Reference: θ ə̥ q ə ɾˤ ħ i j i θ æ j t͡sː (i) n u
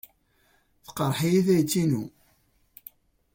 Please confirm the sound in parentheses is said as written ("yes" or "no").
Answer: yes